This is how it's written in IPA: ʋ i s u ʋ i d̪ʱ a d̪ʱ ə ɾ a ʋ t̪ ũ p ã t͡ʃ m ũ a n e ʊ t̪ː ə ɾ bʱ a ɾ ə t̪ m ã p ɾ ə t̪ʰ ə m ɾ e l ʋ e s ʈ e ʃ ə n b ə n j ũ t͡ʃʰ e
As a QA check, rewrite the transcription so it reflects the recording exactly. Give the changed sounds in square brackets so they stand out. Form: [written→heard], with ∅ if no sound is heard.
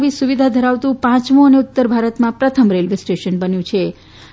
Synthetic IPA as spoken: ʋ i s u ʋ i d̪ʱ a d̪ʱ ə ɾ a ʋ t̪ ũ p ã t͡ʃ m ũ [a→ə] n e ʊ t̪ː ə ɾ bʱ a ɾ ə t̪ m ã p ɾ ə t̪ʰ ə m ɾ e l ʋ e s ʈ e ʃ ə n b ə n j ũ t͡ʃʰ e